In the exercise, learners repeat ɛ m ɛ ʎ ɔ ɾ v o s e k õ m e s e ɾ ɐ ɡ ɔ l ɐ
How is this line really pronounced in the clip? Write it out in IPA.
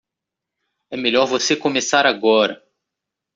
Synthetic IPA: ɛ m e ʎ ɔ ɾ v o s e k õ m e s a ɾ a ɡ ɔ ɾ ɐ